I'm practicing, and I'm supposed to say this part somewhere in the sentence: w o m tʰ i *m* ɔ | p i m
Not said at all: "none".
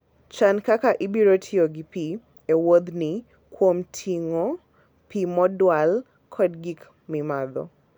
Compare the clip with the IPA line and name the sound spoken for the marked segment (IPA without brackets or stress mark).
ŋ